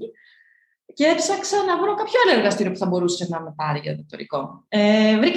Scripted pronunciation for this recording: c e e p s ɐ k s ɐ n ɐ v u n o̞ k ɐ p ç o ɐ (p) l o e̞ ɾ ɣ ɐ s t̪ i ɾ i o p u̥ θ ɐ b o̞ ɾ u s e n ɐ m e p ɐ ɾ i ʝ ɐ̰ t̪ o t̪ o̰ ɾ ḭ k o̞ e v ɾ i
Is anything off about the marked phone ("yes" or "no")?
yes